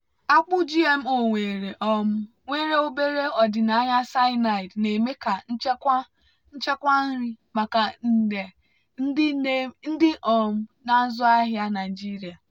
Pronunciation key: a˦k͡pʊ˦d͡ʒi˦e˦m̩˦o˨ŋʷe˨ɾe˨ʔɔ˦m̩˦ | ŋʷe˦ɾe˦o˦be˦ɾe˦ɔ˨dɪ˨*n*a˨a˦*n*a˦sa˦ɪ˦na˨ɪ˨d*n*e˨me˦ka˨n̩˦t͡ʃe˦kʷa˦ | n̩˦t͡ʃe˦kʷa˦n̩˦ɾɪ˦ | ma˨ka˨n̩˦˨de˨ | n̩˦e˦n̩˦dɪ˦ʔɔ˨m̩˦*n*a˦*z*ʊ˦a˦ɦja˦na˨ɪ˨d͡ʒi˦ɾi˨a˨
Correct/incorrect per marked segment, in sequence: correct, incorrect: ɲ, correct, correct, correct

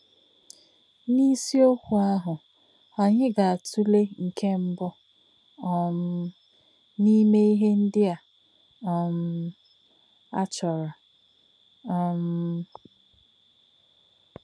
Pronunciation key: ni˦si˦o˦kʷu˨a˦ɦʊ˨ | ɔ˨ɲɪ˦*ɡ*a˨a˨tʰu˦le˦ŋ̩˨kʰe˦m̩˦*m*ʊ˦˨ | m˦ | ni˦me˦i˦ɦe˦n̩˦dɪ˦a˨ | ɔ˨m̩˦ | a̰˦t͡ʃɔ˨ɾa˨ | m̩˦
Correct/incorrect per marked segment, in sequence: correct, incorrect: b

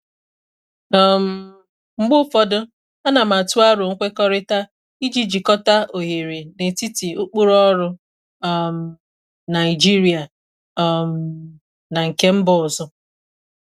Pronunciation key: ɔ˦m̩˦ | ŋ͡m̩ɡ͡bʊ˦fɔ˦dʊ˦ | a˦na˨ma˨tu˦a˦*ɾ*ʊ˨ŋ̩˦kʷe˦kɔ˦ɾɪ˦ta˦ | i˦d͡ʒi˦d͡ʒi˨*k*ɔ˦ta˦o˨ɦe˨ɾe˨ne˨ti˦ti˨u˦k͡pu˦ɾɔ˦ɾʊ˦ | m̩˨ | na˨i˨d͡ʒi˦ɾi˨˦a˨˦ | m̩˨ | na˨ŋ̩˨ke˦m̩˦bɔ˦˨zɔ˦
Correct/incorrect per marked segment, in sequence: correct, correct

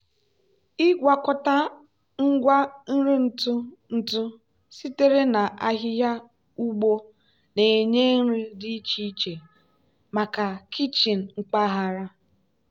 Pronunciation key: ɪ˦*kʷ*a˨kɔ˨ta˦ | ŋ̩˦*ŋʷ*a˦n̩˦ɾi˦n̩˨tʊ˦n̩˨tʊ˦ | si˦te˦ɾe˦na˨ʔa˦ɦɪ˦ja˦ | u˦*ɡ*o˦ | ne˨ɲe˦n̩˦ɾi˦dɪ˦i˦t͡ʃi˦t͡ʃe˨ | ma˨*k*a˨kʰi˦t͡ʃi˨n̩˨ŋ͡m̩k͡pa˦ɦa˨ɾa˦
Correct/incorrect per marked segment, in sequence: incorrect: ɡʷ, incorrect: ɡʷ, incorrect: ɡ͡b, correct

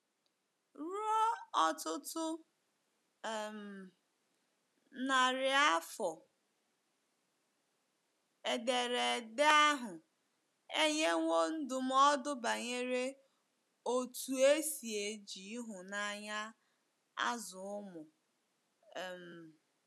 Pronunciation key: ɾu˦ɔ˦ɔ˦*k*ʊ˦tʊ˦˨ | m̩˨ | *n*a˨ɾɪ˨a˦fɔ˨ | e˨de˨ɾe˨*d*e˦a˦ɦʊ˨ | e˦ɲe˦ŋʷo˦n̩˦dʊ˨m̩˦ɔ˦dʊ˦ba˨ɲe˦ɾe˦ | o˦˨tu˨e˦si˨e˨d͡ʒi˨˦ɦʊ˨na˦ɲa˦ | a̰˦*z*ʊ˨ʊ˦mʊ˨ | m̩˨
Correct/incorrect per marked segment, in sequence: incorrect: t, correct, correct, correct

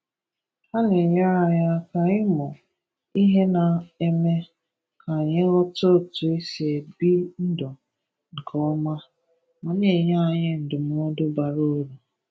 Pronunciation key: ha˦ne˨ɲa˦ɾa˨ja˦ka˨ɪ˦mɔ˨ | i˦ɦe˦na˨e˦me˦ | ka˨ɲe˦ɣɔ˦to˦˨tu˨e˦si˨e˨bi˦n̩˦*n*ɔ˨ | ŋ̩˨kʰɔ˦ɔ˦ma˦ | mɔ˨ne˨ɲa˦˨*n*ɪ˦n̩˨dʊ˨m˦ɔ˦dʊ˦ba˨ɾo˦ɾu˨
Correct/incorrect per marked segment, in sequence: incorrect: d, incorrect: ɲ

